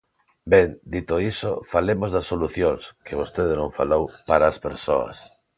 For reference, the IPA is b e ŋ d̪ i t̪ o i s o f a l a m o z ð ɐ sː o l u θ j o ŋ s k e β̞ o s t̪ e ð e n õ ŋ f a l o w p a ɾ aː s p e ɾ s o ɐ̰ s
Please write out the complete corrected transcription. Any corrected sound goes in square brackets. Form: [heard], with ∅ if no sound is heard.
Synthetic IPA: b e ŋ d̪ i t̪ o i s o f a l [e] m o z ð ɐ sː o l u θ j o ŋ s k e β̞ o s t̪ e ð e n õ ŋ f a l o w p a ɾ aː s p e ɾ s o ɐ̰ s